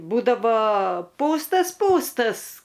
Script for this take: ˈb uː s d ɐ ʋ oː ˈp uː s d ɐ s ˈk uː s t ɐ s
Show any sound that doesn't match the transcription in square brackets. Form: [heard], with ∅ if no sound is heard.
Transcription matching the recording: ˈb uː [∅] d ɐ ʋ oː ˈp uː s [t] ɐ s [ˈp] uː s t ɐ s